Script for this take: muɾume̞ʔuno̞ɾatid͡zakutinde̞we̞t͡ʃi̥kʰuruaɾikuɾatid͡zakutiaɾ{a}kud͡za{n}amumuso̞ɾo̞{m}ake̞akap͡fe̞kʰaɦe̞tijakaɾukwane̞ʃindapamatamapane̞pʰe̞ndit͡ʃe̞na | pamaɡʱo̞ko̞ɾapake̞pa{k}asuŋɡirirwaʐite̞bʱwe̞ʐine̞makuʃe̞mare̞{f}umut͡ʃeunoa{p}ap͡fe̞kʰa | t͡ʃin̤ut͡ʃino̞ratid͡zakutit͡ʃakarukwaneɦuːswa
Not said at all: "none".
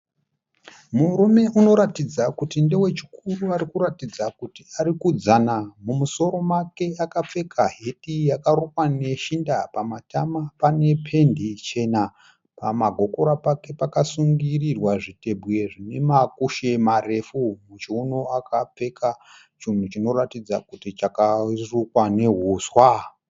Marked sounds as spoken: i, n, m, k, f, k

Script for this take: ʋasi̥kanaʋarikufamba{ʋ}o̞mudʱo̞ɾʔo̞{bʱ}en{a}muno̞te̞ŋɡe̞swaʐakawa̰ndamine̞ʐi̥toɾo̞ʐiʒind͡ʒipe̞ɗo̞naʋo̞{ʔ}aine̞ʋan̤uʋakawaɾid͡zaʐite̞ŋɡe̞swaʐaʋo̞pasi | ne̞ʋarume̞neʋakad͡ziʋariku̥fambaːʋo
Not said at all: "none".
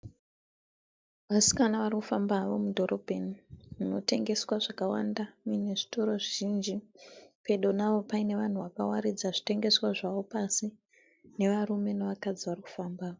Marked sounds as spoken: ʋ, bʱ, i, p

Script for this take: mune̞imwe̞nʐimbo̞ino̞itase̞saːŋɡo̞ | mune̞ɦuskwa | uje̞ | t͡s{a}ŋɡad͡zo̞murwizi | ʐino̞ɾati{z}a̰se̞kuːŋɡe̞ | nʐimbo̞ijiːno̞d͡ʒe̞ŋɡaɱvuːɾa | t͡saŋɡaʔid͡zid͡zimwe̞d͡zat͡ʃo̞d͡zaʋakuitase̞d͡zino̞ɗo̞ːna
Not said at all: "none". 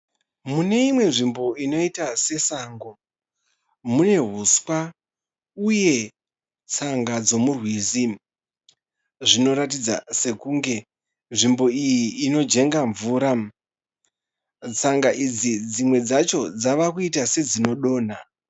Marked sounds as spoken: a, d͡z

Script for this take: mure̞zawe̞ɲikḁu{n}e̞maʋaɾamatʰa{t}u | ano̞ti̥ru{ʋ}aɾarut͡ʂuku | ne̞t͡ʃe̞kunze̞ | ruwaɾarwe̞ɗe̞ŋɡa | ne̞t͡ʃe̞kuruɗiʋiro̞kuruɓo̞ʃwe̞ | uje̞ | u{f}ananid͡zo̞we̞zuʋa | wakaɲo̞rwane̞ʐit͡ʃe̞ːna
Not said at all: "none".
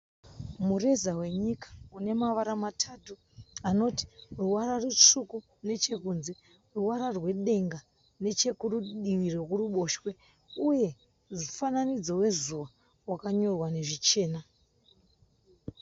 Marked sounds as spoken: n, t, w, f

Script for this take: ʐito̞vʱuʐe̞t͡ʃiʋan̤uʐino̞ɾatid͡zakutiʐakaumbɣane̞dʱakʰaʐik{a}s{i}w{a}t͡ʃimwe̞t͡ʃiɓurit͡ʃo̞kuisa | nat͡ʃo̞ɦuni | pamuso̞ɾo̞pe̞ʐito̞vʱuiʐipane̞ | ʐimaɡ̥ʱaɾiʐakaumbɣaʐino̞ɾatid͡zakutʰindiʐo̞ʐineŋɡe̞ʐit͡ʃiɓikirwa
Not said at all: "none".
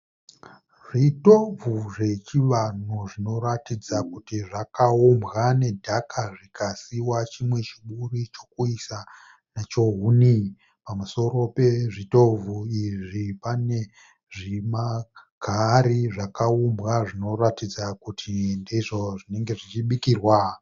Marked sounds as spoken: a, i, a

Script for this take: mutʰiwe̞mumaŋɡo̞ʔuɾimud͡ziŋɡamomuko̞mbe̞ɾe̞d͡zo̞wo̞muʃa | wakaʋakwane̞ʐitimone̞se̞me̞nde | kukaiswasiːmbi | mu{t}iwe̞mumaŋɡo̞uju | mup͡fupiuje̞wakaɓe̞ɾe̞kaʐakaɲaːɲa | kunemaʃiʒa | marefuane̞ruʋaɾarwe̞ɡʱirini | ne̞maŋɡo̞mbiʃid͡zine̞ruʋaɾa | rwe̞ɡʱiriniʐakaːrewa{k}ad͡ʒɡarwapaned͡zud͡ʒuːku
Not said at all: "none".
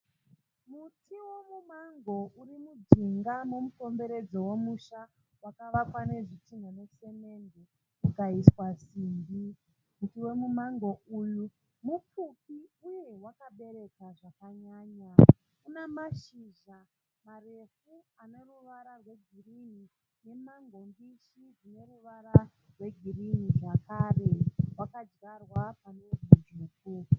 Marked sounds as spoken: t, k

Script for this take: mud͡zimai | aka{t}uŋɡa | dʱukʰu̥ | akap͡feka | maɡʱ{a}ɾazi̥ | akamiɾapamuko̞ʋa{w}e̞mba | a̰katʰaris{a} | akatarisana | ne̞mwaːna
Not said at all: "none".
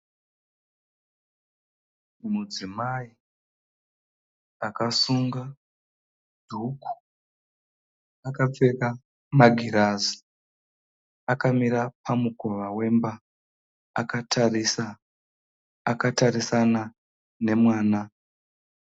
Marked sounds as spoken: s, i, w, a

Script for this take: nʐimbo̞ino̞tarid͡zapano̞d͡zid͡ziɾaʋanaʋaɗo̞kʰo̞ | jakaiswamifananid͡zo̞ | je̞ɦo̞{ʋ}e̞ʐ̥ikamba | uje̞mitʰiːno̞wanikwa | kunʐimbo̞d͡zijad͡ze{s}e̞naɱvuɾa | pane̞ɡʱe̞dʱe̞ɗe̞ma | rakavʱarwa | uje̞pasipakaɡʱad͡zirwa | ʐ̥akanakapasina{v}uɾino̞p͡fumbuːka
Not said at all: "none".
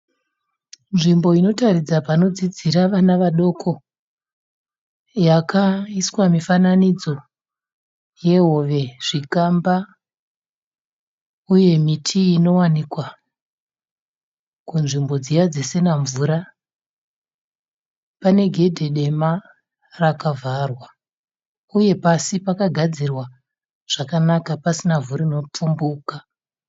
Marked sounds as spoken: ʋ, s, v

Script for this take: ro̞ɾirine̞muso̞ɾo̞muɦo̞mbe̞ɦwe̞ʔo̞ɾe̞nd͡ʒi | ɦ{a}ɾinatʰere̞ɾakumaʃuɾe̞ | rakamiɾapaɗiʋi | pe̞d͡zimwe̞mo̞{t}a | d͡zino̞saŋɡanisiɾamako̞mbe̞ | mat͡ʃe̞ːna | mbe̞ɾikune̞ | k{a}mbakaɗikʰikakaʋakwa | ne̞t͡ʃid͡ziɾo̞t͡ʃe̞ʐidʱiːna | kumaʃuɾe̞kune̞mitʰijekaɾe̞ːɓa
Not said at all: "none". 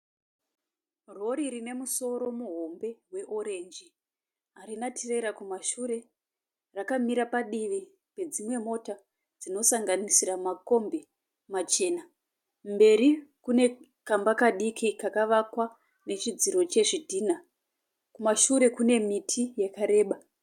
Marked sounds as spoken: a, t, a

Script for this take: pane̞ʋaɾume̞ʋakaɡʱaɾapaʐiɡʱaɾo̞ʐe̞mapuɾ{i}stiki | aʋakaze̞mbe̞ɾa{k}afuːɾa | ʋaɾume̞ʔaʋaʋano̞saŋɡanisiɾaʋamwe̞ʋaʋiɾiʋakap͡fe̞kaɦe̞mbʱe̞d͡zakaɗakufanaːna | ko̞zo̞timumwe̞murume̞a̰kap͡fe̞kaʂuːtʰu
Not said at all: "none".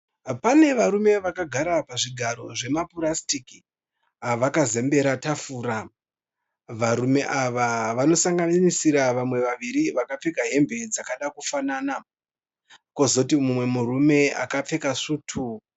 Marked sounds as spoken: a, t

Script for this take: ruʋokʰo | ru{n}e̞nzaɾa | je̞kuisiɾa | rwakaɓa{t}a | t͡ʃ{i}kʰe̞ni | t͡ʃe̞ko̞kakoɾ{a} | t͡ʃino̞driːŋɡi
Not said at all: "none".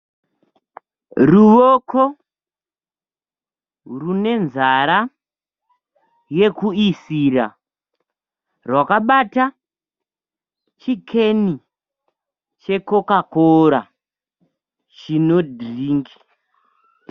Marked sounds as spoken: n, t, i, a

